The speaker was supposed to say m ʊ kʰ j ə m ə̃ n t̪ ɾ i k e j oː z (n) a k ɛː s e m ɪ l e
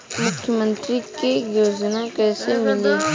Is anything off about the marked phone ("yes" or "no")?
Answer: no